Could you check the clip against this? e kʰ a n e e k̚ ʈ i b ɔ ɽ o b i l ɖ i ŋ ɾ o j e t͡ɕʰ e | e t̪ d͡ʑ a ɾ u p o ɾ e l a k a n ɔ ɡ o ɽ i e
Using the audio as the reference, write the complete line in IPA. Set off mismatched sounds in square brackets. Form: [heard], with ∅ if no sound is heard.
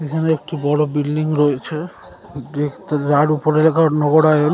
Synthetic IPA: e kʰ a n e e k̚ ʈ i b ɔ ɽ o b i l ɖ i ŋ ɾ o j e t͡ɕʰ e | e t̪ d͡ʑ a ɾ u p o ɾ e l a k a n ɔ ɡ o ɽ [a] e